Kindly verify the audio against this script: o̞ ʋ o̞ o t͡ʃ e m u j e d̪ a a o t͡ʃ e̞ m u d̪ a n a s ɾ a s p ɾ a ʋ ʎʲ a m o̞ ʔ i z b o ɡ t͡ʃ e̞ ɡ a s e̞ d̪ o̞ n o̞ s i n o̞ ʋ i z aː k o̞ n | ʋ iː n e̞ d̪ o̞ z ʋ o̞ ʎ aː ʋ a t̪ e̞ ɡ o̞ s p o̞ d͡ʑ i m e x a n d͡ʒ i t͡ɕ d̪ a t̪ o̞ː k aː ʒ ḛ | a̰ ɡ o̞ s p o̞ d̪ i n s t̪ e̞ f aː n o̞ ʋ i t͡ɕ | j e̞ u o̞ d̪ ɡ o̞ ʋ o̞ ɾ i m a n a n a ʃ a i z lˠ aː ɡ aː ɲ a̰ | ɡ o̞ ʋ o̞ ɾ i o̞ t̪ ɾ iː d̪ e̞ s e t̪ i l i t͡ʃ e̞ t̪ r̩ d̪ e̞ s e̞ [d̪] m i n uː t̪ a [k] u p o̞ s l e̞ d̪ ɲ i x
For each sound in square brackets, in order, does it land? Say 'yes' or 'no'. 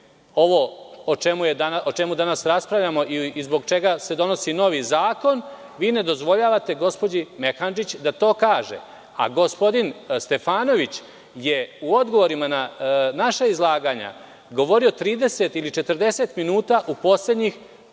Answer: no, no

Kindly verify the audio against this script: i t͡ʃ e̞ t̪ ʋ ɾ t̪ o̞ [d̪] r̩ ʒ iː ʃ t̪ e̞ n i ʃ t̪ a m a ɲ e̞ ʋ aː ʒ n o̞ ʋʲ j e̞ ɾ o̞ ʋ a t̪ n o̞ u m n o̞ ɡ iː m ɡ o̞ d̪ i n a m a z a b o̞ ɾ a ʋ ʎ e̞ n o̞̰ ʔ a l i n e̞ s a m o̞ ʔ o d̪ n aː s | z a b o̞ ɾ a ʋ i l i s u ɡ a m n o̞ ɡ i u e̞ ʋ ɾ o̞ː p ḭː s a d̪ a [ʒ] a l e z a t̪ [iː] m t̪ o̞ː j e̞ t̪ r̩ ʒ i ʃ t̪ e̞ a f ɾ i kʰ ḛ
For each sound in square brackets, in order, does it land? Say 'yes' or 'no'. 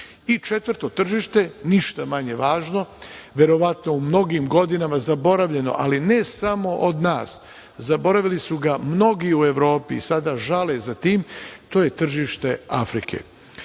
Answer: no, yes, yes

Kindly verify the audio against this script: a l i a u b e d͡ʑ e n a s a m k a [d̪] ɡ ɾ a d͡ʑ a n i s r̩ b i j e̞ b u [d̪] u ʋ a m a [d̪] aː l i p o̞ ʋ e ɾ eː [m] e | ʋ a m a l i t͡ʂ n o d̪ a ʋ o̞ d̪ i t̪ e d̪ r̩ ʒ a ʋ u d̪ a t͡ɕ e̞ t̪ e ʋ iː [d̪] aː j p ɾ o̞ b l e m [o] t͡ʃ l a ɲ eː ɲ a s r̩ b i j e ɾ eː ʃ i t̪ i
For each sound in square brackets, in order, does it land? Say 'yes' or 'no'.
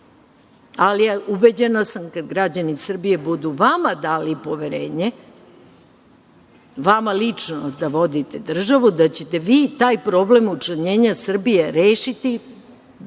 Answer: yes, yes, yes, no, no, no

